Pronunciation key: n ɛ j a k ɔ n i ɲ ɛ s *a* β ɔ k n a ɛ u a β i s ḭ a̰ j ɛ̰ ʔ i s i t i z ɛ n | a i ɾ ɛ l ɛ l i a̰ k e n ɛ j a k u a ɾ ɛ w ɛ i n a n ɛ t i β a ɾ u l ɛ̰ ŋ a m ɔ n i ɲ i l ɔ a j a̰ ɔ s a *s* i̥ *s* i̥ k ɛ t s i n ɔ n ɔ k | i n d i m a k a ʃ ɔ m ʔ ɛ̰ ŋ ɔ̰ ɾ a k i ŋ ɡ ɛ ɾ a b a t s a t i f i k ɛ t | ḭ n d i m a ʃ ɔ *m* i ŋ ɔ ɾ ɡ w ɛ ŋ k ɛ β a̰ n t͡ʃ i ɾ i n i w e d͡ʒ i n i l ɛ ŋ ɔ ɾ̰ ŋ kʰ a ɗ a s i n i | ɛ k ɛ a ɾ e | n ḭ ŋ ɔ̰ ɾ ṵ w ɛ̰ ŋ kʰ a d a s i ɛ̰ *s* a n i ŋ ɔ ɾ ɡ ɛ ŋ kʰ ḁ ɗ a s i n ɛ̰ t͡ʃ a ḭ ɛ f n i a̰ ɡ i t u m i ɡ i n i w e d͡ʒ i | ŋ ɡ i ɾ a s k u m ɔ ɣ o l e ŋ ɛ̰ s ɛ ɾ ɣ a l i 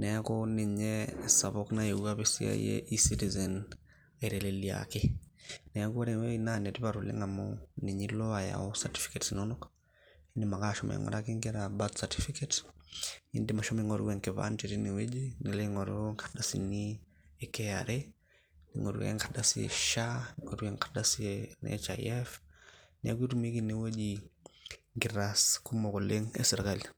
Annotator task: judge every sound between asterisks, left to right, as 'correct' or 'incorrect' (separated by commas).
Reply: correct, incorrect, incorrect, correct, incorrect